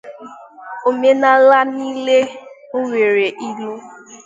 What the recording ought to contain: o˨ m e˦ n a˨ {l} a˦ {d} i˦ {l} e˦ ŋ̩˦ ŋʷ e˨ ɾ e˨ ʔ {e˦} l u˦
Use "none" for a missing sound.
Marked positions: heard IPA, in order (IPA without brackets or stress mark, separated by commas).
l, n, l, i˦